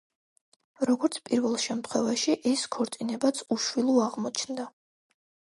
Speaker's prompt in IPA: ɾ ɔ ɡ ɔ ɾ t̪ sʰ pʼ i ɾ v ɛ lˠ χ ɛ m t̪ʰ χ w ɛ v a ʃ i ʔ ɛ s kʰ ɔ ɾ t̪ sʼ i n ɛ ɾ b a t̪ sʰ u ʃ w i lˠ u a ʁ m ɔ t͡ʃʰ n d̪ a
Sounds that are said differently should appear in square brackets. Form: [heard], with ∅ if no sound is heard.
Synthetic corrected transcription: ɾ ɔ ɡ ɔ ɾ t̪ sʰ pʼ i ɾ v ɛ lˠ [ʃ] ɛ m t̪ʰ χ w ɛ v a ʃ i ʔ ɛ s kʰ ɔ ɾ t̪ sʼ i n ɛ [∅] b a t̪ sʰ u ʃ w i lˠ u a ʁ m ɔ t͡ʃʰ n d̪ a